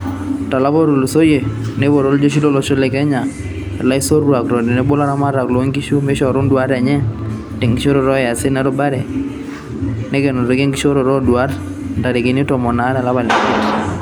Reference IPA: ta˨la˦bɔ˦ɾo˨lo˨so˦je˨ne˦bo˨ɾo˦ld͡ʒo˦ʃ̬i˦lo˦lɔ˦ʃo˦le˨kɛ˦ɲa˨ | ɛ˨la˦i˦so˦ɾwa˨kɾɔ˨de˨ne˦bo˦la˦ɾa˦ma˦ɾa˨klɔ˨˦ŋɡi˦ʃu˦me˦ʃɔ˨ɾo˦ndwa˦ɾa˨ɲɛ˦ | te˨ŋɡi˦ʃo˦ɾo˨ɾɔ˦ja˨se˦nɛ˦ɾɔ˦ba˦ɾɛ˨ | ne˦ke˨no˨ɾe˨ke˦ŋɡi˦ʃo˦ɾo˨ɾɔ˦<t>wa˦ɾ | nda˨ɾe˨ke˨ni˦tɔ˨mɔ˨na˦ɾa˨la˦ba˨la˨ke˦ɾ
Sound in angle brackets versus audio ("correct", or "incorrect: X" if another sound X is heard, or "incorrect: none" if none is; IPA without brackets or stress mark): incorrect: d